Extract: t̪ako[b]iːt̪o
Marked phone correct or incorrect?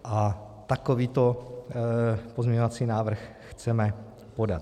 incorrect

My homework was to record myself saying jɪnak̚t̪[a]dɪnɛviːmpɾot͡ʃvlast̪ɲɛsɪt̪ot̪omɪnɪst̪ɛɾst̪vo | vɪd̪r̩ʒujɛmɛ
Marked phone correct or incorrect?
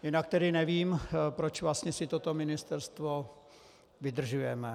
incorrect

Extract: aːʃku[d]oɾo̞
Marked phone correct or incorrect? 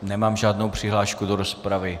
correct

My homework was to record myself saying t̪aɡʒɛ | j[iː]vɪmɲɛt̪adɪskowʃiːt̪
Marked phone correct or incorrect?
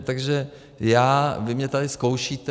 incorrect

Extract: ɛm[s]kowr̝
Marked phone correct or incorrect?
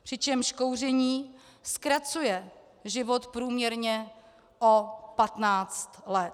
incorrect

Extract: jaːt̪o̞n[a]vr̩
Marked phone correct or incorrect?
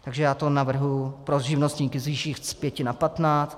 correct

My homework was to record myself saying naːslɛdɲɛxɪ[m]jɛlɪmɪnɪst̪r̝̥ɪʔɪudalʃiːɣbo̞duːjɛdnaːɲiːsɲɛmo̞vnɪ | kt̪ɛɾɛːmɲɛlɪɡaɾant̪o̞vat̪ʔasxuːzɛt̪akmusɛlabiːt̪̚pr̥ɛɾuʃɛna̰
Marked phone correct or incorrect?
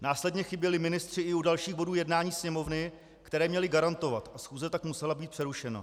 incorrect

